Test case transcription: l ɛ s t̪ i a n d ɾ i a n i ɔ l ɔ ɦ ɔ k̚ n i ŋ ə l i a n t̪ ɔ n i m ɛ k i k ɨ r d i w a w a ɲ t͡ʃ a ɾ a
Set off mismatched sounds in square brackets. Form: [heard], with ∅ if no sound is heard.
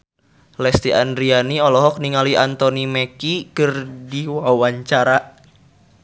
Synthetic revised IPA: l ɛ s t̪ i a n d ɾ i a n i ɔ l ɔ ɦ ɔ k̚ n i ŋ [a] l i a n t̪ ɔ n i m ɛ k i k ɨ r d i w a w a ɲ t͡ʃ a ɾ a